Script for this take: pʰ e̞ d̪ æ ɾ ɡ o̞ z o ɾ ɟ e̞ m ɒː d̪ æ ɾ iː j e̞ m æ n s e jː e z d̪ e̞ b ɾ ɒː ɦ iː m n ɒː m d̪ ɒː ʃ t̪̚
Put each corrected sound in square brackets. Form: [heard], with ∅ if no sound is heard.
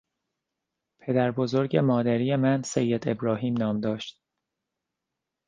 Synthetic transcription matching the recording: pʰ e̞ d̪ æ ɾ [b] o̞ z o ɾ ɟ e̞ m ɒː d̪ æ ɾ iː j e̞ m æ n s e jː e [∅] d̪ e̞ b ɾ ɒː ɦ iː m n ɒː m d̪ ɒː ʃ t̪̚